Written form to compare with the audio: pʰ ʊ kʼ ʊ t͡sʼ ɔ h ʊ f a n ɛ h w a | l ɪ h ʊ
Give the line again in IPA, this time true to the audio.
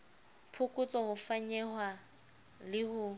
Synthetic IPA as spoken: pʰ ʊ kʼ ʊ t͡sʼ ɔ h ʊ f a ɲ ɛ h w a | l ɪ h ʊ